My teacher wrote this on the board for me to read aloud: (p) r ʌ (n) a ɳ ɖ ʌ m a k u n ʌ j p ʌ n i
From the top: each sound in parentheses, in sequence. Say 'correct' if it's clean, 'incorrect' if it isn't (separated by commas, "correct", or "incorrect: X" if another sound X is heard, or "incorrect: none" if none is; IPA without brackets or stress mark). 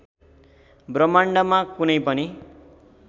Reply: incorrect: b, incorrect: m